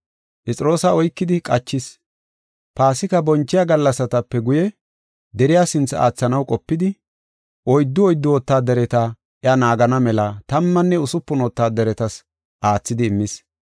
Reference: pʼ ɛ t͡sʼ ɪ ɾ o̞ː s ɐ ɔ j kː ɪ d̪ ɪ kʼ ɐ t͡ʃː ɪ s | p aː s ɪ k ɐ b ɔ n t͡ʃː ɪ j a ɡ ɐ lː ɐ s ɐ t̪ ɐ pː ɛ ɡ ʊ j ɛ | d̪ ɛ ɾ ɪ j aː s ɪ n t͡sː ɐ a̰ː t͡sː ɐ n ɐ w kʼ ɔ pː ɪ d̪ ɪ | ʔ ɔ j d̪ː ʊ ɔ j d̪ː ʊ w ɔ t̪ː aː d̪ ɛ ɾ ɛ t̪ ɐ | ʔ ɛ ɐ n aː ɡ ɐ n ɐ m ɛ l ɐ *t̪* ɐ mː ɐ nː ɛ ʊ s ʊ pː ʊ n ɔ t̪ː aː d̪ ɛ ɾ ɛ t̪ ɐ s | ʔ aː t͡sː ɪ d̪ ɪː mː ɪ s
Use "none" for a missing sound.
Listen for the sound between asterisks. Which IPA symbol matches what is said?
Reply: t̪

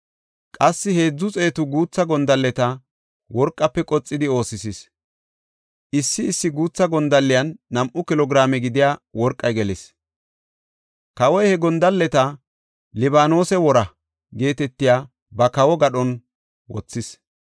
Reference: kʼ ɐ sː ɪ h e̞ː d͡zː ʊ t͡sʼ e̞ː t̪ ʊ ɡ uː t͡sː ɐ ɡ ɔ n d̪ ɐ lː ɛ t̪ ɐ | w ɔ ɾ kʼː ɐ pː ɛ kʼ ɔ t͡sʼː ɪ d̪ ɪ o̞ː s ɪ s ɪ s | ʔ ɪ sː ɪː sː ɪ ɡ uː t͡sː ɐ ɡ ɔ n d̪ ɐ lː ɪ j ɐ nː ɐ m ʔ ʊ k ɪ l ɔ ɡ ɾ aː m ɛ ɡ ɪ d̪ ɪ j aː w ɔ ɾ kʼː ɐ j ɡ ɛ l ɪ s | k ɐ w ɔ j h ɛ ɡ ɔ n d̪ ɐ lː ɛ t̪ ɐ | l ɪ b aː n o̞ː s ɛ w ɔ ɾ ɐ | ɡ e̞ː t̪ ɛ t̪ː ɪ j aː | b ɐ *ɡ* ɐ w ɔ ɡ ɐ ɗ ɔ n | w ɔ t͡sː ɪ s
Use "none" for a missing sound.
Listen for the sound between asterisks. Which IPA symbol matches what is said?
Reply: k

